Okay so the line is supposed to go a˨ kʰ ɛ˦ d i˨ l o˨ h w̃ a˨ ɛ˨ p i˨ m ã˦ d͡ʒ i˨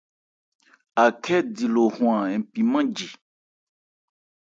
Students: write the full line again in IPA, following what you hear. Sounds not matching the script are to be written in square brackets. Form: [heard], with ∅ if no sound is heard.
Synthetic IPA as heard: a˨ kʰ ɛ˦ d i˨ l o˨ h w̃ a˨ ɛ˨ p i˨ m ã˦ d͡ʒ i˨